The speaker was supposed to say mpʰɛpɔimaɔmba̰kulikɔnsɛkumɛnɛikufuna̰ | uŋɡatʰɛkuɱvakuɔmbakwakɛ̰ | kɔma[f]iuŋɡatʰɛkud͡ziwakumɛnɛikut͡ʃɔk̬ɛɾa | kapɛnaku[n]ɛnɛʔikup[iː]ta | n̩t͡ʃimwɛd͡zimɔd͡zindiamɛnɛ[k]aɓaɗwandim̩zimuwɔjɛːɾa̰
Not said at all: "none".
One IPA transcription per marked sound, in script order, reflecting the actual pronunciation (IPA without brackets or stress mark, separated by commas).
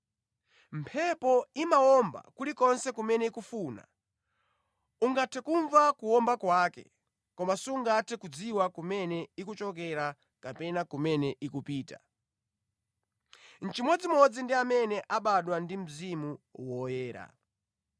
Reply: s, m, iː, ʔ